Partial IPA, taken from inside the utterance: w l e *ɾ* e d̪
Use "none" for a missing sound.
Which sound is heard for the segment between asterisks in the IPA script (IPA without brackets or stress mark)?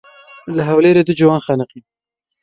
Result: ɾ